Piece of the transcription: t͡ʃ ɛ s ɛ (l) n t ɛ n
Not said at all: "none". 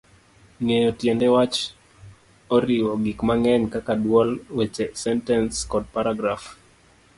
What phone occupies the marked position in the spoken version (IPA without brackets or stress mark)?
none